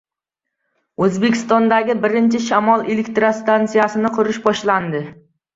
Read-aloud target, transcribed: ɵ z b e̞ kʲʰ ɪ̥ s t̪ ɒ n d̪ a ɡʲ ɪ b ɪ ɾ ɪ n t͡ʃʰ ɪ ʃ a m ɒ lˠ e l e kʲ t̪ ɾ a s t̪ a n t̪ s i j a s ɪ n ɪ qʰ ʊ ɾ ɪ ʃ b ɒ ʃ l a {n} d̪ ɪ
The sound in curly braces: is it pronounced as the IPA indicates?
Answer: yes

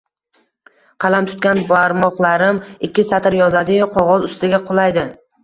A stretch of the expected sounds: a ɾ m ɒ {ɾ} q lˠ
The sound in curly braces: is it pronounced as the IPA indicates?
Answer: no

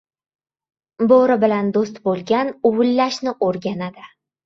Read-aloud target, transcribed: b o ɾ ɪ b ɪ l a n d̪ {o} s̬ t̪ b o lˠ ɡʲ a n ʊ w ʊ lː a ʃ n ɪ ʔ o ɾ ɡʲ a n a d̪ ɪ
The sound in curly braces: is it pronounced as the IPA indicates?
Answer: yes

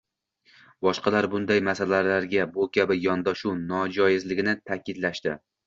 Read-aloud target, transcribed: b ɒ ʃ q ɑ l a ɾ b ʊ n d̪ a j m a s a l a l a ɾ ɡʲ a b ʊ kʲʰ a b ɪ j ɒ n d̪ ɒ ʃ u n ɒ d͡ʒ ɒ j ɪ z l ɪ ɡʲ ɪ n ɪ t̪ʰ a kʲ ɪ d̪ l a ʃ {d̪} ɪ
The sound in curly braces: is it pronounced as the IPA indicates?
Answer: no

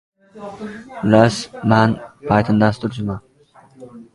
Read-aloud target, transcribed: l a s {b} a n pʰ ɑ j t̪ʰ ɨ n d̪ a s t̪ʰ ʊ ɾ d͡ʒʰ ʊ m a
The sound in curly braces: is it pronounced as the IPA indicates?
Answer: no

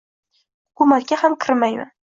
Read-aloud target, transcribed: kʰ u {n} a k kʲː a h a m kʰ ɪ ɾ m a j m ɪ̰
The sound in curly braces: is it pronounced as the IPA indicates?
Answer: no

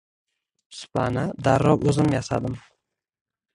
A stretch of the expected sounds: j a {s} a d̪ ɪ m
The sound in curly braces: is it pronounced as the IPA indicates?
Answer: yes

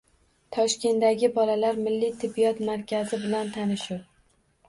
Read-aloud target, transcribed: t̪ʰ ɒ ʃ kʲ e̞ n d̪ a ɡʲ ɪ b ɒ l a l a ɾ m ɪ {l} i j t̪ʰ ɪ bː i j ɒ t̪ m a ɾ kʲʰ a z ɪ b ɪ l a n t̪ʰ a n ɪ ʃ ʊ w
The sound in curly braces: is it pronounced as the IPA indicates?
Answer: no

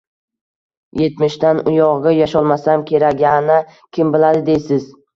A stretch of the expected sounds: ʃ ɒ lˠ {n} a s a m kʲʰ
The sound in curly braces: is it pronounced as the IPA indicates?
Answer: no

